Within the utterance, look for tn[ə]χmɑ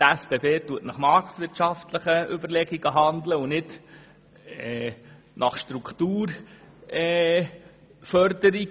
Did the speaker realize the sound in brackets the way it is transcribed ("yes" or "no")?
no